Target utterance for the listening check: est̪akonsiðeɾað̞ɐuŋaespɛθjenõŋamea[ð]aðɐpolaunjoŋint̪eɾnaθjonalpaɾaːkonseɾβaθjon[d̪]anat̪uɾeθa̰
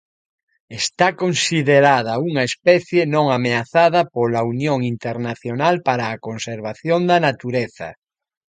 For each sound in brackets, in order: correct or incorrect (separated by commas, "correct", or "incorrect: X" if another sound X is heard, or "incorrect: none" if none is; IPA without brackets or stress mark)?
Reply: incorrect: θ, correct